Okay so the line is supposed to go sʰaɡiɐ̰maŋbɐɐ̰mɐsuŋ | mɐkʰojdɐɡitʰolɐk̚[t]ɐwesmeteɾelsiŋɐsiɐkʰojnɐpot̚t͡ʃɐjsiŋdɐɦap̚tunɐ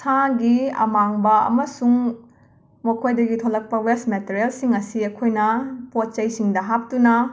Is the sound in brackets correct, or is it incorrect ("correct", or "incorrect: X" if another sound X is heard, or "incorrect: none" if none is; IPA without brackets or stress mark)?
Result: incorrect: p